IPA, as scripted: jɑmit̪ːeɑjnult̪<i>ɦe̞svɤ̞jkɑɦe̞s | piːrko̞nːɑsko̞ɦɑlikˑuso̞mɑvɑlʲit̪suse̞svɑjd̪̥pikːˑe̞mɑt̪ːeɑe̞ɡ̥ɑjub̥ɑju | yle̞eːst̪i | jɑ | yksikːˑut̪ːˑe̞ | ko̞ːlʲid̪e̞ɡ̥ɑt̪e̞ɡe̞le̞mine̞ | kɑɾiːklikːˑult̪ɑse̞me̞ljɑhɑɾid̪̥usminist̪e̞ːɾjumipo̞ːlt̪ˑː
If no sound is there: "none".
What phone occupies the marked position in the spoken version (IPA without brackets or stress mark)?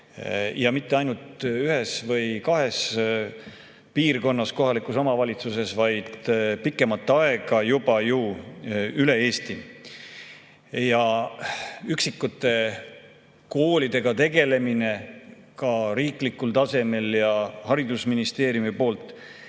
y